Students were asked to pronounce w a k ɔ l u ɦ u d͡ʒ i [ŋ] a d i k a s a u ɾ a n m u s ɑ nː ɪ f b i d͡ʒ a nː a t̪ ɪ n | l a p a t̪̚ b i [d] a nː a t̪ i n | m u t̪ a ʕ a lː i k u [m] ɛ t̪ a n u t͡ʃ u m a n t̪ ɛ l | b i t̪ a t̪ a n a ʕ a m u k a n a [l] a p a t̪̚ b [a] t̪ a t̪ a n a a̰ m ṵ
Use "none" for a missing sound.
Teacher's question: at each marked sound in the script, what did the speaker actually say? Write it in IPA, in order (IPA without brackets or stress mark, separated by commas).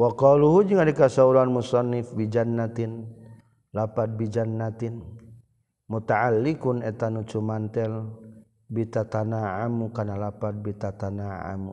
ŋ, d͡ʒ, n, l, i